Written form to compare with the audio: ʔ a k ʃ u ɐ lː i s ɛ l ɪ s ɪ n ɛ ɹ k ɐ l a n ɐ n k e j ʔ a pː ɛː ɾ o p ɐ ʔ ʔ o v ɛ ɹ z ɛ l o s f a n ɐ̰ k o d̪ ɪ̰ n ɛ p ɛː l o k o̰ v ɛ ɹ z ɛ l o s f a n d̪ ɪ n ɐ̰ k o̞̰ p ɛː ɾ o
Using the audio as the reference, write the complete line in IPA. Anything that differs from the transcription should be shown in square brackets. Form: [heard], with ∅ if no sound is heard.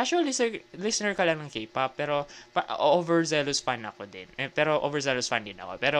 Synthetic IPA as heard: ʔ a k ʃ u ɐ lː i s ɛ l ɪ s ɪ n ɛ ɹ k ɐ l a n ɐ [ŋ] k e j [p] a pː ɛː ɾ o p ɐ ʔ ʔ o v ɛ ɹ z ɛ l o s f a n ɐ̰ k o d̪ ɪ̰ n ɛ p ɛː [ɾ] o [ʔ] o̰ v ɛ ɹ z ɛ l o s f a n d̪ ɪ n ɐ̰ k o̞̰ p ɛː ɾ o